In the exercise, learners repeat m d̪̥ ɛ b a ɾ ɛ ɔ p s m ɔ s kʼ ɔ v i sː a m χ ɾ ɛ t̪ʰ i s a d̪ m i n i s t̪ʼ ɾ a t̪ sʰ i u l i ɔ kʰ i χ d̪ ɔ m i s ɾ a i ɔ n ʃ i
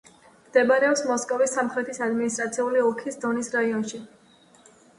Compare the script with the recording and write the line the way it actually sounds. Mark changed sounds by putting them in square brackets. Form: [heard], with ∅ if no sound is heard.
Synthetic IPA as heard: m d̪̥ ɛ b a ɾ ɛ ɔ p s m ɔ s kʼ ɔ v i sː a m χ ɾ ɛ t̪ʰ i s a d̪ m i n i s t̪ʼ ɾ a t̪ sʰ i u l i ɔ kʰ i [s] d̪ ɔ [n] i s ɾ a i ɔ n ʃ i